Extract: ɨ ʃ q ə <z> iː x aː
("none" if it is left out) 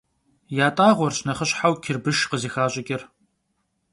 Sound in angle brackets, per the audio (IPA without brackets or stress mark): z